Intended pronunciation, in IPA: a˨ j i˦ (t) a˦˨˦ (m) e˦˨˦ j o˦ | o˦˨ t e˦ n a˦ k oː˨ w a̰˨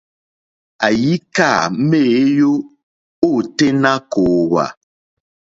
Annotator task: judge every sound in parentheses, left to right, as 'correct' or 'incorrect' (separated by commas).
incorrect, correct